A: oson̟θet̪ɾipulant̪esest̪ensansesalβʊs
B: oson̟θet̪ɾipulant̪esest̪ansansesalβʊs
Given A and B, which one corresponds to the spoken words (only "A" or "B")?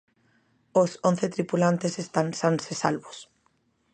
B